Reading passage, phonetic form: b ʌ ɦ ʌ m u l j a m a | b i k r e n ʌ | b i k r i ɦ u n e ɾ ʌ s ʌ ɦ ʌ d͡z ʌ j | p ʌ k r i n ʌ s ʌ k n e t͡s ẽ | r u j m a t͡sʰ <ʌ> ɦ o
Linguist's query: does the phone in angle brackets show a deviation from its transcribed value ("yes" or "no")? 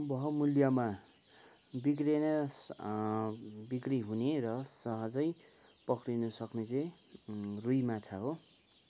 yes